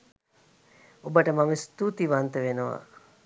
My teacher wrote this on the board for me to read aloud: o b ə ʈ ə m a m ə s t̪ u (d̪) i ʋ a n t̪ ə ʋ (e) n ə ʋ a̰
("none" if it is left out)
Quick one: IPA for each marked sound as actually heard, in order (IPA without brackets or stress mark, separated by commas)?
t̪, e